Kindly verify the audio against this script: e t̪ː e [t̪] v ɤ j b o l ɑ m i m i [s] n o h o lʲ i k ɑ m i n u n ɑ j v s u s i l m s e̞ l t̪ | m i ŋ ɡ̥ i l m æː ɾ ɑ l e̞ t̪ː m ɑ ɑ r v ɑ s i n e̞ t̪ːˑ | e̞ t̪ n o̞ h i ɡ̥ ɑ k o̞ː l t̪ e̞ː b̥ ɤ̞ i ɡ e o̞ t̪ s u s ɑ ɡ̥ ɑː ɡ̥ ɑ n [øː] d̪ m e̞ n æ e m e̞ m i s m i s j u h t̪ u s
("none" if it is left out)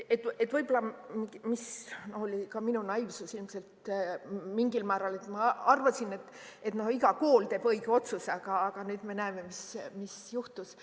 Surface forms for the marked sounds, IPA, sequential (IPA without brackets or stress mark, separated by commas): t̪, s, yː